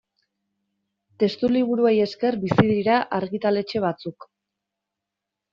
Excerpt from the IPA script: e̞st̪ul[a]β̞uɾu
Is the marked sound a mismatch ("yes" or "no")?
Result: yes